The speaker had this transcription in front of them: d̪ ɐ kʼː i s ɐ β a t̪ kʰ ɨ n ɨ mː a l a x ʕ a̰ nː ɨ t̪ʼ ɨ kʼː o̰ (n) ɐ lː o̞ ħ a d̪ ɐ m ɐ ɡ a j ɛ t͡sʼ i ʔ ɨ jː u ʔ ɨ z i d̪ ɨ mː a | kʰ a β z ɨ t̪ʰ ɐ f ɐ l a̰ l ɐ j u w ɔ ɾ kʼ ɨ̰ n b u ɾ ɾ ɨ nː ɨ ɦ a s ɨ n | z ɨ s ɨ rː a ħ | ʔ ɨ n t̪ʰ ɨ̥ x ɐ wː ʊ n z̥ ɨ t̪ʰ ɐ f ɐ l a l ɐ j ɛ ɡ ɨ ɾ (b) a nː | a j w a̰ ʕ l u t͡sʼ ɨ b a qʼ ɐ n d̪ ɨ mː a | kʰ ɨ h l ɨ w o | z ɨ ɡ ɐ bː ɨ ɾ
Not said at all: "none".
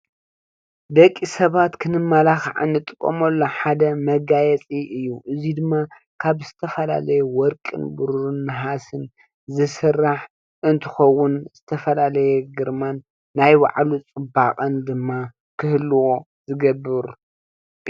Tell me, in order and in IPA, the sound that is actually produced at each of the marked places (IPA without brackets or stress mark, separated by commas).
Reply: m, m